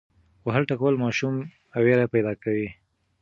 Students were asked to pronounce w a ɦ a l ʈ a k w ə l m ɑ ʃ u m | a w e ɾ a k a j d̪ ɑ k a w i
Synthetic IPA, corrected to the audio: w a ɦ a l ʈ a k w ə l m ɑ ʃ u m | a w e ɾ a p a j d̪ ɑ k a w i